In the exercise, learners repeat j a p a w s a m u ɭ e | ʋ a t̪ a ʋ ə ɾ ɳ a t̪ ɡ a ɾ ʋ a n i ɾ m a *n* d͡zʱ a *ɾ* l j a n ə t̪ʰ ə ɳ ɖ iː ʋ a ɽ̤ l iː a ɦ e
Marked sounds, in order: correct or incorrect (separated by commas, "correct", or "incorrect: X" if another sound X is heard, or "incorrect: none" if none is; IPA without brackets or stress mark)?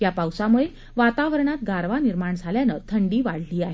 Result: incorrect: ɳ, incorrect: none